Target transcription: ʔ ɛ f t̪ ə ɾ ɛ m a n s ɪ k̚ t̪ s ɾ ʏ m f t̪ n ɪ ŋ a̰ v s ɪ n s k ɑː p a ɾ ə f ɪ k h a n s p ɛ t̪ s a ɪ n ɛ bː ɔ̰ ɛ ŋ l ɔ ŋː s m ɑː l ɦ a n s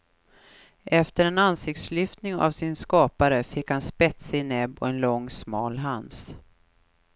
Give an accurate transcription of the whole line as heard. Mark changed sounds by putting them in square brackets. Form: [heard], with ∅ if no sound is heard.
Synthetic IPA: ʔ ɛ f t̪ ə ɾ ɛ [n] a n s ɪ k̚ t̪ s [l] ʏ [∅] f t̪ n ɪ ŋ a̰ v s ɪ n s k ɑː p a ɾ ə f ɪ k h a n s p ɛ t̪ s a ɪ n ɛ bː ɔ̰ ɛ [n] l ɔ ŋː s m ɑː l ɦ a n s

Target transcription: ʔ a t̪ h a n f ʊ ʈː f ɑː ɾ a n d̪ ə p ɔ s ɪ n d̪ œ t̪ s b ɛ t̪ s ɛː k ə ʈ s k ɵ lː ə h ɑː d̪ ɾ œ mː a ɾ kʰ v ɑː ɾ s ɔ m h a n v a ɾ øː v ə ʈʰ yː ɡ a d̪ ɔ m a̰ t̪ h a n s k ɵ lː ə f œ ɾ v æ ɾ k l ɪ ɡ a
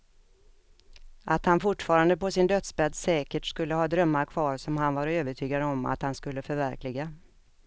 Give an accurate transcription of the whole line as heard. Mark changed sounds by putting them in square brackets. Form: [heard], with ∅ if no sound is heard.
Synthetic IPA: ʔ a t̪ h a n f ʊ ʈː f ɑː ɾ a n d̪ ə p ɔ s ɪ n d̪ œ t̪ s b ɛ [d̪] s ɛː k ə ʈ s k ɵ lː ə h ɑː d̪ ɾ œ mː a ɾ kʰ v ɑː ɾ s ɔ m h a n v a ɾ øː v ə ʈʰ yː ɡ a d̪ ɔ m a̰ t̪ h a n s k ɵ lː ə f œ ɾ v æ ɾ k l ɪ ɡ a

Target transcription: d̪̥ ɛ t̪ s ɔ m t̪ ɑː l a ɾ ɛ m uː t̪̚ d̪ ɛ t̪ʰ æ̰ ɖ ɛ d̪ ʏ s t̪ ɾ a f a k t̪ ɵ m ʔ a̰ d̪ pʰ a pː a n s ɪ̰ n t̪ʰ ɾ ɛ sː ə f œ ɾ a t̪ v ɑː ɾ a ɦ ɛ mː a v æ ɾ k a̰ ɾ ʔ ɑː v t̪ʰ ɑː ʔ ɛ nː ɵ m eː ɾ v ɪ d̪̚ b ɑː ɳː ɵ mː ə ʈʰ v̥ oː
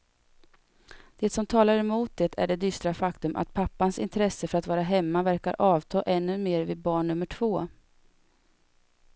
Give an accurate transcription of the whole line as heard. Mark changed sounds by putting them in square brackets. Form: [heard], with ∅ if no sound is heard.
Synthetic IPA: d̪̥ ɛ t̪ s ɔ m [t̪ʰ] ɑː l a ɾ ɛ m uː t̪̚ d̪ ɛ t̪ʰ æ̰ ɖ ɛ d̪ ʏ s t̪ ɾ a f a k t̪ ɵ m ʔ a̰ [t̪] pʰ a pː a n s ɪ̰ n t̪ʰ ɾ ɛ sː ə f œ ɾ a t̪ v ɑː ɾ a ɦ ɛ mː a v æ ɾ k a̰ ɾ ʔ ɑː v t̪ʰ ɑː ʔ ɛ nː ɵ m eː ɾ v ɪ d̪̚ b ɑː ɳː ɵ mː ə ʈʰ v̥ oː

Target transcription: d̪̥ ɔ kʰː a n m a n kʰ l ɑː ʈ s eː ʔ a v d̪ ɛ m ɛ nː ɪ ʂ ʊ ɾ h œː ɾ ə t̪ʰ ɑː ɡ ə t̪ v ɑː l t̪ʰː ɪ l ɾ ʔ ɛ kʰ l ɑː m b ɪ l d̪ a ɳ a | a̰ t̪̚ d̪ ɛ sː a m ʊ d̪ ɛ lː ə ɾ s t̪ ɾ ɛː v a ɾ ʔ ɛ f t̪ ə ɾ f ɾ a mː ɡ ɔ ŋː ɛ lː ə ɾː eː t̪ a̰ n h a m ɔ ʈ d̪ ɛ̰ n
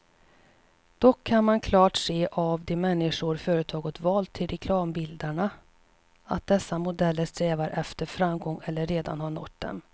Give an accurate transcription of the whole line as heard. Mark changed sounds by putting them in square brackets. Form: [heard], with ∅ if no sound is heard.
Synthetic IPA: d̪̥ ɔ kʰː a n m a n kʰ l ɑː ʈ s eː ʔ a v d̪ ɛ m ɛ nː ɪ ʂ ʊ ɾ [f] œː ɾ ə t̪ʰ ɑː ɡ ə t̪ v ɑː l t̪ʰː ɪ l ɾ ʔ ɛ kʰ l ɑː m b ɪ l d̪ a ɳ a | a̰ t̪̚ d̪ ɛ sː a m ʊ d̪ ɛ lː ə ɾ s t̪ ɾ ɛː v a ɾ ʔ ɛ f t̪ ə ɾ f ɾ a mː ɡ ɔ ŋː ɛ lː ə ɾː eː [d̪] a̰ n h a [ɳ] ɔ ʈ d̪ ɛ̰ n

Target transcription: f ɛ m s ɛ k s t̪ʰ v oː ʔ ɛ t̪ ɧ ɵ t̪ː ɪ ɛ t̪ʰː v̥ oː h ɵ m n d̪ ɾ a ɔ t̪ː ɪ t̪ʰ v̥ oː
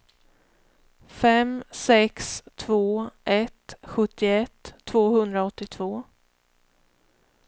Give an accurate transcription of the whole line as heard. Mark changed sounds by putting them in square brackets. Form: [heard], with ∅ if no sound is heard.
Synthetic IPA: f ɛ m s ɛ k s t̪ʰ v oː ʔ ɛ t̪ ɧ ɵ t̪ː ɪ ɛ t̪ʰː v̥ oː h ɵ [∅] n d̪ ɾ a ɔ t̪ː ɪ t̪ʰ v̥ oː

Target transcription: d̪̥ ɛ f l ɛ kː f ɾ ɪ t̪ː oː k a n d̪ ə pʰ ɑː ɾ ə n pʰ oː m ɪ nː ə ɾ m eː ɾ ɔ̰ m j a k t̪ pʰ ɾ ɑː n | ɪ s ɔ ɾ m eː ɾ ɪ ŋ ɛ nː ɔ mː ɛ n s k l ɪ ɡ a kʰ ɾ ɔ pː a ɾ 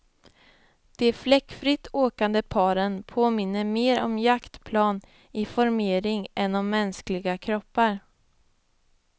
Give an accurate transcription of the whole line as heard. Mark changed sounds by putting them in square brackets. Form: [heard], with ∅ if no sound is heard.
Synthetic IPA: d̪̥ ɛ f l ɛ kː f ɾ ɪ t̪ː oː k a n d̪ ə pʰ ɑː ɾ ə n pʰ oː m ɪ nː ə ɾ m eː ɾ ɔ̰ m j a k t̪ pʰ [l] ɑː n | ɪ [f] ɔ ɾ m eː ɾ ɪ ŋ ɛ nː ɔ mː ɛ n s k l ɪ ɡ a kʰ ɾ ɔ pː a ɾ

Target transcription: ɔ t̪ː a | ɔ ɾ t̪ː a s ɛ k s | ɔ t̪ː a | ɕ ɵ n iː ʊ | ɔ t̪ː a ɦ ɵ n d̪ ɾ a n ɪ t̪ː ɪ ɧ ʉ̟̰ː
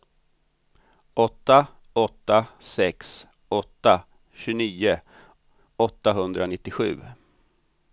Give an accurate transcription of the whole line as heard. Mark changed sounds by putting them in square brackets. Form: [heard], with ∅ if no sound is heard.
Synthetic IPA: ɔ t̪ː a | ɔ [∅] t̪ː a s ɛ k s | ɔ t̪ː a | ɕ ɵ n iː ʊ | ɔ t̪ː a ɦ ɵ n d̪ ɾ a n ɪ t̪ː ɪ ɧ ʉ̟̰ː

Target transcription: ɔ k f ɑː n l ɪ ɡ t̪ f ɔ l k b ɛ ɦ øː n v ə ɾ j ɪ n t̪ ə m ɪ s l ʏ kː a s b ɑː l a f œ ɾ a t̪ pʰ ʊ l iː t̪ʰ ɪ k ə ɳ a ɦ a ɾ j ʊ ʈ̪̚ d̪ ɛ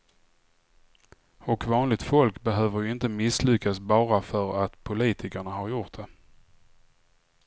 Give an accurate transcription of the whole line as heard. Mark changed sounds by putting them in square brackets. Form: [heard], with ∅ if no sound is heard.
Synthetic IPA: ɔ k [v] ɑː n l ɪ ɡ t̪ f ɔ l k b ɛ ɦ øː [∅] v ə ɾ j ɪ n t̪ ə m ɪ s l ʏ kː a s b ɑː [ɾ] a f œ ɾ a t̪ pʰ ʊ l iː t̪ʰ ɪ k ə ɳ a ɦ a ɾ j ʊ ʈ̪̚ d̪ ɛ

